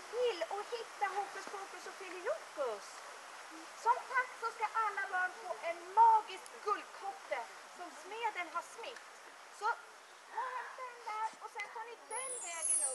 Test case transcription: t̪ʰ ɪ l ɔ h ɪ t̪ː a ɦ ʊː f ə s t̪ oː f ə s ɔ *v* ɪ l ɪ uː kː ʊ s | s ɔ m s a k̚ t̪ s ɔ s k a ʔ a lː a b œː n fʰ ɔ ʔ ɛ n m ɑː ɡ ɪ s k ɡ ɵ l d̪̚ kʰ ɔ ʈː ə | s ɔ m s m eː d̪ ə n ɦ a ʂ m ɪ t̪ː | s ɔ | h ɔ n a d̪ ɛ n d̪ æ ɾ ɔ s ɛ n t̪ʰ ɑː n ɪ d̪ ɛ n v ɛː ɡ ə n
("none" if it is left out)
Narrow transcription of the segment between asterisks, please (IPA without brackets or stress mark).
f